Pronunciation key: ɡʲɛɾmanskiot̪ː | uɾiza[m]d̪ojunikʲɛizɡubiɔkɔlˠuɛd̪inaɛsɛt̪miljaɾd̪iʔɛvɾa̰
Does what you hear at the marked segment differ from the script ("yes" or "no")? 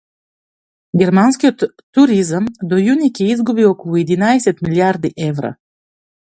no